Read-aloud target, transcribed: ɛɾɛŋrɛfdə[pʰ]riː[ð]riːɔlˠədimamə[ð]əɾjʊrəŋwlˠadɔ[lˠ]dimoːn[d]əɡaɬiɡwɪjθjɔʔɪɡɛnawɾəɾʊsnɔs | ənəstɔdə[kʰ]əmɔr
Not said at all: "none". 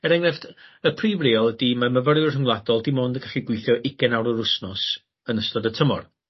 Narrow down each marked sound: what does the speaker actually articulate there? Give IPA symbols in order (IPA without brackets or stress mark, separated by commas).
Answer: pʰ, v, v, lˠ, d, tʰ